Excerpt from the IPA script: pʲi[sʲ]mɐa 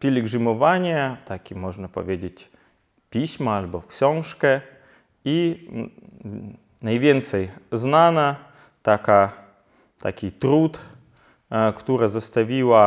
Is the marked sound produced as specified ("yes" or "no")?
yes